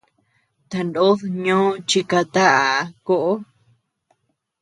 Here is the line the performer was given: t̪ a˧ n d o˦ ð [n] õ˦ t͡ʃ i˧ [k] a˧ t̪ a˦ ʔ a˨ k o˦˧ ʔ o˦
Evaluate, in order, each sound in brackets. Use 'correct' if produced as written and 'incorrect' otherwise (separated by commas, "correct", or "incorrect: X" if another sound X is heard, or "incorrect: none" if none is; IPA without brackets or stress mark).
incorrect: ɲ, correct